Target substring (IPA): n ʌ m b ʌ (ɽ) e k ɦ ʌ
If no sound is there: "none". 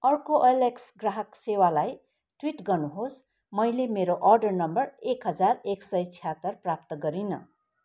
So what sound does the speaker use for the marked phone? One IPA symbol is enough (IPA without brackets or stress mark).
r